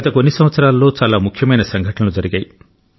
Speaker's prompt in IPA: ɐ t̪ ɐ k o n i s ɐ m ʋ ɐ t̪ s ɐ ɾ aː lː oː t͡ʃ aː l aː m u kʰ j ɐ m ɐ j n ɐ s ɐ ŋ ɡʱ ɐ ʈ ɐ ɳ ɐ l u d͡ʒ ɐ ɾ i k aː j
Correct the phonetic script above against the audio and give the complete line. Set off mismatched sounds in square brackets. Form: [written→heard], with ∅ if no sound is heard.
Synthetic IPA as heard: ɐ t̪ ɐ k o [n→nː] i s ɐ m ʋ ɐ t̪ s ɐ ɾ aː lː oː t͡ʃ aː l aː m u kʰ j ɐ m ɐ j n ɐ s ɐ ŋ ɡʱ ɐ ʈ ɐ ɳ ɐ l u d͡ʒ ɐ ɾ i [k→ɡ] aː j